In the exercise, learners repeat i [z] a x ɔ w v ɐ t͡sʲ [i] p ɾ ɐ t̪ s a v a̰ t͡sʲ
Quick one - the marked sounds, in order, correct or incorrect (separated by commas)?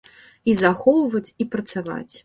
correct, correct